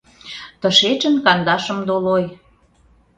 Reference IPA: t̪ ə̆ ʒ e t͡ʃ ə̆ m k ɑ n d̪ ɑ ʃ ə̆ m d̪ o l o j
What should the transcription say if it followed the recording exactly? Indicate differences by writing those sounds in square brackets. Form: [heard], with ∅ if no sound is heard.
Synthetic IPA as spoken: t̪ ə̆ [ʃ] e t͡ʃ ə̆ [n] k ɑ n d̪ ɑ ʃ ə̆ m d̪ o l o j